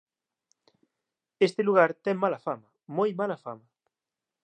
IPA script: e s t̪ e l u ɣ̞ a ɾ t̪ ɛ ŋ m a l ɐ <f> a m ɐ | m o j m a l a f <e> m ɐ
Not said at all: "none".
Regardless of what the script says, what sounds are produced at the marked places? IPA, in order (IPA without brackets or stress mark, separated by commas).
f, a